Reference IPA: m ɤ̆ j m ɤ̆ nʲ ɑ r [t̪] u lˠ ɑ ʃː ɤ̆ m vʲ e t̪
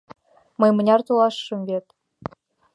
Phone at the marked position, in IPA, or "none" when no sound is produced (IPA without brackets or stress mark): t̪